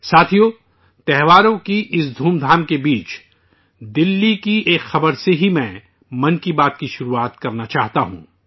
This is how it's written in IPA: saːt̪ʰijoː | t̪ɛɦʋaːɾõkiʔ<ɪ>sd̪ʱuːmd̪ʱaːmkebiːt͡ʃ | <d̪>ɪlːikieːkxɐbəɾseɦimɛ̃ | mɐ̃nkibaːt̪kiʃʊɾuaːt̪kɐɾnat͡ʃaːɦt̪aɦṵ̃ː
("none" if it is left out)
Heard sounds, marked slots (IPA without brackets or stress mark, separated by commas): ɪ, d̪